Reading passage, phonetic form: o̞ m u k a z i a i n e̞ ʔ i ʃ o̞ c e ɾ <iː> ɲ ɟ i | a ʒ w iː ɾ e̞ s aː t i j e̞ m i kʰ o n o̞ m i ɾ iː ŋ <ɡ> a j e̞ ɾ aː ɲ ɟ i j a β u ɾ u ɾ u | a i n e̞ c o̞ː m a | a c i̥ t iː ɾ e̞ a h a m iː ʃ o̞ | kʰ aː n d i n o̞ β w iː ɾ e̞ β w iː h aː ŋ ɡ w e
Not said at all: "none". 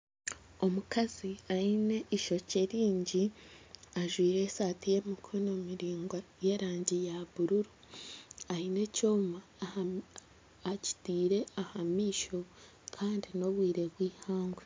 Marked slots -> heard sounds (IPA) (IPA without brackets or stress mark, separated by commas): iː, ɡ